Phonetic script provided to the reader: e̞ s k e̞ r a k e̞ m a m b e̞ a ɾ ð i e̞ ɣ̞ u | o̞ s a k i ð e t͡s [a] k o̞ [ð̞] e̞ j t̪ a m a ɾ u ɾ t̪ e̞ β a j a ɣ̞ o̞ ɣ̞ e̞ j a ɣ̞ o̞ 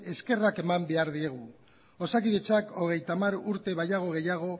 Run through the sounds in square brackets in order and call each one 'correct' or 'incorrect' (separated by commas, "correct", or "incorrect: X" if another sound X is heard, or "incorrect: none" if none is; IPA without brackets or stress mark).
correct, incorrect: ɣ̞